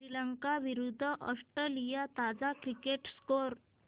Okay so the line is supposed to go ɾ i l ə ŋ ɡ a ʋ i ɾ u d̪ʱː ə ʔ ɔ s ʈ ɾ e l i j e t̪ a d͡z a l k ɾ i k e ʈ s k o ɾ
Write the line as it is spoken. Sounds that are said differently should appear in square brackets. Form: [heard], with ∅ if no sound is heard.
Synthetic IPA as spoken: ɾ i l ə ŋ [k] a ʋ i ɾ u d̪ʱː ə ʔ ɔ s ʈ ɾ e l i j [a] t̪ a d͡z a [∅] k ɾ i k e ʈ s k o ɾ